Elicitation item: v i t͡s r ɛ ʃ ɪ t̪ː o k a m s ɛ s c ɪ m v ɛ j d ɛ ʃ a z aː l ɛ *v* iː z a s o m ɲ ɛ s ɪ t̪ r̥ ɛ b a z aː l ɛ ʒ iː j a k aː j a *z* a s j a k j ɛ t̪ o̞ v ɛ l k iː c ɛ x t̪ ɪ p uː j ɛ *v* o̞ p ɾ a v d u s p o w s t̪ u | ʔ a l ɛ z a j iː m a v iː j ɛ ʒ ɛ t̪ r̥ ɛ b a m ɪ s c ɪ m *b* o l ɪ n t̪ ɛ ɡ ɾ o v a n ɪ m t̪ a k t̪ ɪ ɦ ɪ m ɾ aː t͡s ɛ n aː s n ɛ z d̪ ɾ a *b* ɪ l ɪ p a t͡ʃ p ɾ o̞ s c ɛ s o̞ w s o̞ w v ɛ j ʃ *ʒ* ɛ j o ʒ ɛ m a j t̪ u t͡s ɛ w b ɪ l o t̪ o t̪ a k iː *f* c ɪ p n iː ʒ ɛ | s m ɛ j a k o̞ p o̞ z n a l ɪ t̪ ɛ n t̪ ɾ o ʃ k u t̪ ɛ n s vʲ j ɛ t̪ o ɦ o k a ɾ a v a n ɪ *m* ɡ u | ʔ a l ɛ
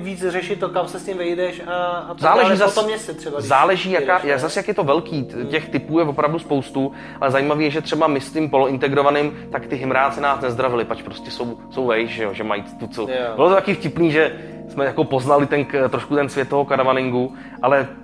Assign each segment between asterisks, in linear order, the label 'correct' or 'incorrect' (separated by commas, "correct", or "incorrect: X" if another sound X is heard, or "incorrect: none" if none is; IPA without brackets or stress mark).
incorrect: ʒ, correct, correct, incorrect: p, incorrect: v, correct, correct, incorrect: ŋ